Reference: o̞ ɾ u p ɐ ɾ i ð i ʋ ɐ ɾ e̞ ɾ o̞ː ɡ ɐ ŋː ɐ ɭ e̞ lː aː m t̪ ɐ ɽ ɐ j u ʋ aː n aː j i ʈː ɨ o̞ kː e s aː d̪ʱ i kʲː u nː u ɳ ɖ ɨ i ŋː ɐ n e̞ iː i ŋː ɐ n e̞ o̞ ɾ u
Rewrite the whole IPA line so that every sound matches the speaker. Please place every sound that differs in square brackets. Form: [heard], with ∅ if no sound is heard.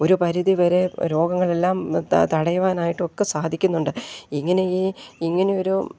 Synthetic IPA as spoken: o̞ ɾ u p ɐ ɾ i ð i ʋ ɐ ɾ e̞ ɾ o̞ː ɡ ɐ ŋː ɐ ɭ e̞ lː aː m t̪ ɐ ɽ ɐ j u ʋ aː n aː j i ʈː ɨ o̞ kː e s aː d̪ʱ i kʲː u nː u ɳ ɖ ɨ i ŋː ɐ n e̞ iː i ŋː ɐ n e̞ o̞ ɾ u